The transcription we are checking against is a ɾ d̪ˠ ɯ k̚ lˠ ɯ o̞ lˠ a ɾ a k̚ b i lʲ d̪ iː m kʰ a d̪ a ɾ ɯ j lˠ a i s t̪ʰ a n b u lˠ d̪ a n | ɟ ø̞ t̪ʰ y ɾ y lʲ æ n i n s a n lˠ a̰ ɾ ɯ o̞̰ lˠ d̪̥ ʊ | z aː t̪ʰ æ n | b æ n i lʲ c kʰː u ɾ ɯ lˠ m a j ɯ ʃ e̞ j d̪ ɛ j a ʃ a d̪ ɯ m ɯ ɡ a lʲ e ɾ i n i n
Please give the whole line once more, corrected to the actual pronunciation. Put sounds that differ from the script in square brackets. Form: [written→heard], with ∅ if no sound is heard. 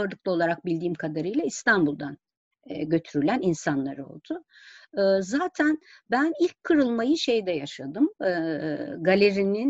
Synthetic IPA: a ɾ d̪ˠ ɯ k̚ lˠ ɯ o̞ lˠ a ɾ a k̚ b i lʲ d̪ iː m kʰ a d̪ a ɾ ɯ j lˠ a i s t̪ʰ a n b u lˠ d̪ a n | ɟ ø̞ t̪ʰ y ɾ y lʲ æ n i n s a n lˠ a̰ ɾ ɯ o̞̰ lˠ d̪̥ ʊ | z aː t̪ʰ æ n | b æ n i lʲ c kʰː [u→ɯ] ɾ ɯ lˠ m a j ɯ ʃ e̞ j d̪ ɛ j a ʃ a d̪ ɯ m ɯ ɡ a lʲ e ɾ i n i n